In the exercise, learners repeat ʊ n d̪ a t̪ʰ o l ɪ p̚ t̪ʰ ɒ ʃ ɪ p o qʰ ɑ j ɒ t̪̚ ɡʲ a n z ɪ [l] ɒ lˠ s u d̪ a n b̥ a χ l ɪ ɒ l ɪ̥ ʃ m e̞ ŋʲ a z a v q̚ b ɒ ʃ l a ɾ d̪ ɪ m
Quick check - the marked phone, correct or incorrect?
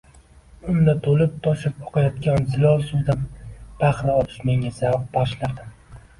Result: correct